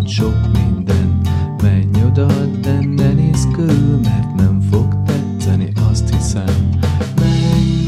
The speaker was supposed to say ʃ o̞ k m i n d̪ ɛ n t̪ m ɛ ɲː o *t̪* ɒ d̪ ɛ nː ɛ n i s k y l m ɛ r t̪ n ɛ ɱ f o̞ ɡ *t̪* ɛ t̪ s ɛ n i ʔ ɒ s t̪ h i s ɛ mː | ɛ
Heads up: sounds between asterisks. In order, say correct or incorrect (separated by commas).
incorrect, correct